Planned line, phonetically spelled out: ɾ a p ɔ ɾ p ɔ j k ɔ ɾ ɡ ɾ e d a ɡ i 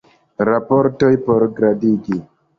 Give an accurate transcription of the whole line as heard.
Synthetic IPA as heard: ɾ a p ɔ ɾ t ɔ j p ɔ ɾ ɡ ɾ a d i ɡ i